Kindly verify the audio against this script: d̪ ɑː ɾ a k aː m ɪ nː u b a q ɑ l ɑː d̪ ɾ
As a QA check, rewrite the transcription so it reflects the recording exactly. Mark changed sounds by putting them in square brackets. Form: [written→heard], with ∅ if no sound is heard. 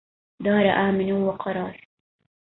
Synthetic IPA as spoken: d̪ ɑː ɾ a [k→ʔ] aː m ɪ [nː→n] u [b→w] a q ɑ [l→ɾ] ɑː [d̪→∅] ɾ